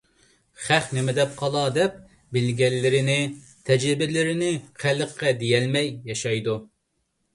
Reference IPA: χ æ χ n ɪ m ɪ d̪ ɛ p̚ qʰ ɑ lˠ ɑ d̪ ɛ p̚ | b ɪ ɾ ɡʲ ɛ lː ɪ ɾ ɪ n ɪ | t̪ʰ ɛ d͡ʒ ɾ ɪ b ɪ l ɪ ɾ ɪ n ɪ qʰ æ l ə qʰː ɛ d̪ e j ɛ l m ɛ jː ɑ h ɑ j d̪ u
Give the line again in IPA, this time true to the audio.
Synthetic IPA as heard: χ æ χ n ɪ m ɪ d̪ ɛ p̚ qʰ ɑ lˠ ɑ d̪ ɛ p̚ | b ɪ l ɡʲ ɛ lː ɪ ɾ ɪ n ɪ | t̪ʰ ɛ d͡ʒ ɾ ɪ b ɪ l ɪ ɾ ɪ n ɪ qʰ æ l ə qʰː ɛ d̪ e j ɛ l m ɛ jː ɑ ʃ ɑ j d̪ u